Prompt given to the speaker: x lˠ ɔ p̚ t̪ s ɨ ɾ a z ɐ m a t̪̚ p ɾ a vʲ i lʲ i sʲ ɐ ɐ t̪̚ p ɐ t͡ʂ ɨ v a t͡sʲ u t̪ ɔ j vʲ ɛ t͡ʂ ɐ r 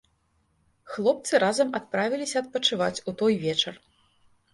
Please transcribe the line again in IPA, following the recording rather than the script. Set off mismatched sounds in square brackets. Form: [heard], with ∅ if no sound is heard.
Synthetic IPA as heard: x lˠ ɔ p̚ t̪ s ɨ ɾ a z ɐ m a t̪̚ p ɾ a vʲ i lʲ i sʲ ɐ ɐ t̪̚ p ɐ t͡ʂ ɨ v a t͡sʲ u t̪ ɔ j vʲ ɛ t͡ʂ ɐ r